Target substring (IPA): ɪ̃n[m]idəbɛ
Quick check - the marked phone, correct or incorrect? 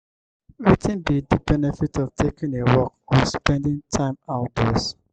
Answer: incorrect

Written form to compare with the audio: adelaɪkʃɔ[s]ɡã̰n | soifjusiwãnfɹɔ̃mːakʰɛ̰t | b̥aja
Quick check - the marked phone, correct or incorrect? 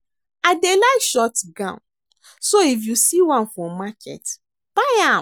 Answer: incorrect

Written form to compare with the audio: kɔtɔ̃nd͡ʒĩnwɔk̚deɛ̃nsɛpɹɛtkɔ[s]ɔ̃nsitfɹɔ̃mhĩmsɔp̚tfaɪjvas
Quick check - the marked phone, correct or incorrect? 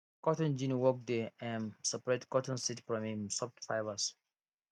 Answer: incorrect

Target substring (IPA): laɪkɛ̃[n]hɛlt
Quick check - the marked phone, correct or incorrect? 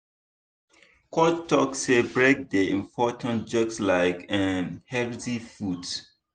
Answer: correct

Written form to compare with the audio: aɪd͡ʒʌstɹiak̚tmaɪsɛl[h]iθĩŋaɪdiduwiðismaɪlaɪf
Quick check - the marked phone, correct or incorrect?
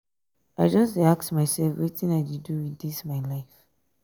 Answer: incorrect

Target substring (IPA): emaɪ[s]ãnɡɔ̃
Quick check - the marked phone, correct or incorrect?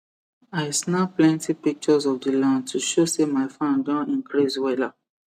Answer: incorrect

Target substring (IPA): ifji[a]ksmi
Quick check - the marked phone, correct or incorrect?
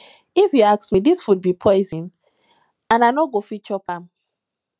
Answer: correct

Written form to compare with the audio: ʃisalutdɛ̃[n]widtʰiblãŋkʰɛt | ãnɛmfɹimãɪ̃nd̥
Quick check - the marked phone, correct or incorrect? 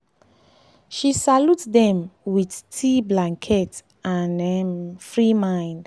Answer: incorrect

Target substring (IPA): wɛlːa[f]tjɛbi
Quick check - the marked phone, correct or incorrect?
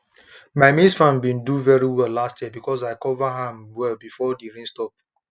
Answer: incorrect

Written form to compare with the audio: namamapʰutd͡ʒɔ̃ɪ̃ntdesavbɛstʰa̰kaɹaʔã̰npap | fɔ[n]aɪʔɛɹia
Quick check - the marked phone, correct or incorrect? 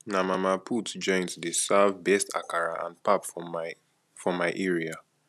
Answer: incorrect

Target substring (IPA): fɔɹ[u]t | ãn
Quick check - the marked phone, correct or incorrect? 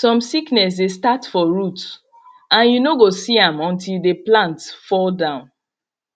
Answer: correct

